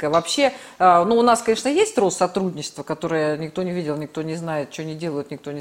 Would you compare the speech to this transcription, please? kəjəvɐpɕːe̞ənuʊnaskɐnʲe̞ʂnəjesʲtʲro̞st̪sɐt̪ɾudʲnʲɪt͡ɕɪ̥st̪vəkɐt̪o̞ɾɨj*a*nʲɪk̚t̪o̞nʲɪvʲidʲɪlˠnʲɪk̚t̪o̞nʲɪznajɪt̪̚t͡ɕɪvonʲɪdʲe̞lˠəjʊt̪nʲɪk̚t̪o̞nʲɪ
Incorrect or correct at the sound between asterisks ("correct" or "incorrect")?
incorrect